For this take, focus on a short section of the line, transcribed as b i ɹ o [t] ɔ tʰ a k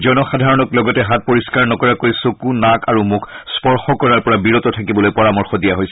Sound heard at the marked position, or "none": t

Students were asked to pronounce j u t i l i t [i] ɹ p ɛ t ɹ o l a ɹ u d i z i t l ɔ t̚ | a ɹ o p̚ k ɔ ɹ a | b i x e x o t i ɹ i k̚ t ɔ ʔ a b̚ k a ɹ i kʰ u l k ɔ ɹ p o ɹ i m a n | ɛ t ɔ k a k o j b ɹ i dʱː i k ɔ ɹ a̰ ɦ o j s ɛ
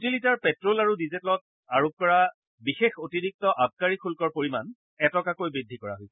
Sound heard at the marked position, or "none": a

